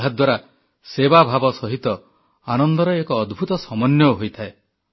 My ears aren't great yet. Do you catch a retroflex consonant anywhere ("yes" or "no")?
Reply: no